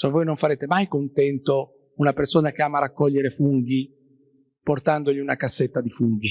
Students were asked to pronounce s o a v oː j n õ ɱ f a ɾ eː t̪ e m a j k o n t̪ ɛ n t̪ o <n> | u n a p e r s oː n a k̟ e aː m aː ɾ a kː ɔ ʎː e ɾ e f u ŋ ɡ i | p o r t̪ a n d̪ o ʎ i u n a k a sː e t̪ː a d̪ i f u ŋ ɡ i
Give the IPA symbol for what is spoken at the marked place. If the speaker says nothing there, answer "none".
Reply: none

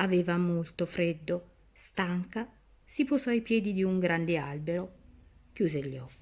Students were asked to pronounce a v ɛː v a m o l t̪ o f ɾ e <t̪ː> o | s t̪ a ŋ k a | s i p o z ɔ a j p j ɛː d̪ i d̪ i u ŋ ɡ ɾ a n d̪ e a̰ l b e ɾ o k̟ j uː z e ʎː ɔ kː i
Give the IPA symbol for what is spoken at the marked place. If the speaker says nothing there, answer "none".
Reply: d̪ː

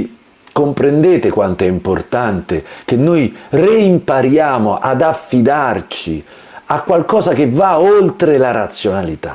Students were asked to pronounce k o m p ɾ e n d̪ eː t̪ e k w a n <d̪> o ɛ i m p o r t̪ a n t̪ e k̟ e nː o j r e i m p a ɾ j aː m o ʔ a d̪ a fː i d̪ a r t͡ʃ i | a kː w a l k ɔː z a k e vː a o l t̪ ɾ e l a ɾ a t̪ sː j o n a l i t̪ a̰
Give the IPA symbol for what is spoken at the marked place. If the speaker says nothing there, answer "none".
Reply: t̪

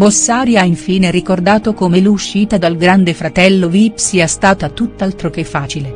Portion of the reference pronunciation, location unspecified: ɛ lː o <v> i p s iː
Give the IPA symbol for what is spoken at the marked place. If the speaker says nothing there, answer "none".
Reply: v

